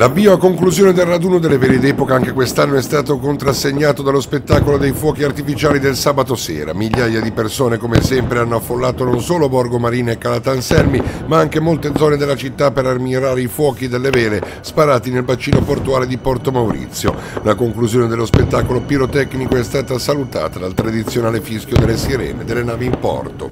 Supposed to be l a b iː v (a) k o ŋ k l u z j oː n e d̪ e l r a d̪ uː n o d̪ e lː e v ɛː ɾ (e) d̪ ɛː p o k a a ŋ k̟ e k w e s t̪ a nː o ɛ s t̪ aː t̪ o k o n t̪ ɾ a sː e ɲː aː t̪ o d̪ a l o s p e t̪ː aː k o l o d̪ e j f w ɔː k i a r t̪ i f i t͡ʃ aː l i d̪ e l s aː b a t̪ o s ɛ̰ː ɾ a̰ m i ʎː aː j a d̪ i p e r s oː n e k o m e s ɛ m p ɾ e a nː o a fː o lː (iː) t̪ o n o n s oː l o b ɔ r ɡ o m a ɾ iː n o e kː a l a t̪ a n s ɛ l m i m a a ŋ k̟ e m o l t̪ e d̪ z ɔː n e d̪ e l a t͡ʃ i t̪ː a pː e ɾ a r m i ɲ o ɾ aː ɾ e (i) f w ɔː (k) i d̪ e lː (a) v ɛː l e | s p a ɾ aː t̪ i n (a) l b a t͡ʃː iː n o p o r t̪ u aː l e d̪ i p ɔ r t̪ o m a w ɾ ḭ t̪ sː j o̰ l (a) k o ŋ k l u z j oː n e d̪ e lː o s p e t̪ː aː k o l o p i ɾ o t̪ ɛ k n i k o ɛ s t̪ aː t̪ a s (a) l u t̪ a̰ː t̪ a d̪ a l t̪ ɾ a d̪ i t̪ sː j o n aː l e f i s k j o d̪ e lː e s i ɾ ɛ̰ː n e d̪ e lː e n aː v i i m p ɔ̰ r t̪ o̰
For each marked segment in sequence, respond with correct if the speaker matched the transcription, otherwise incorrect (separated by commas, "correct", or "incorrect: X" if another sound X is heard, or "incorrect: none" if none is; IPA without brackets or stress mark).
correct, correct, incorrect: aː, correct, correct, incorrect: e, incorrect: e, correct, correct